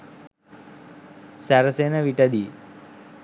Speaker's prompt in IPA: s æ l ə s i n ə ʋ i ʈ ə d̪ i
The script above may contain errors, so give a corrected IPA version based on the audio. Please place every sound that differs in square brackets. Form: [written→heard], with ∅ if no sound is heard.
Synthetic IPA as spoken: s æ [l→ɾ] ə s [i→e] n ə ʋ i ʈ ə d̪ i